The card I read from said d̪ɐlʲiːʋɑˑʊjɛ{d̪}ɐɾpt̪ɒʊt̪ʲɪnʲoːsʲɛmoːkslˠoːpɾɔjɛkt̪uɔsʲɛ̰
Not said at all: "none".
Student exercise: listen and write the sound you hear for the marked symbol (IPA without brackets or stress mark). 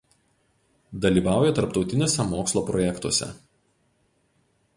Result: t̪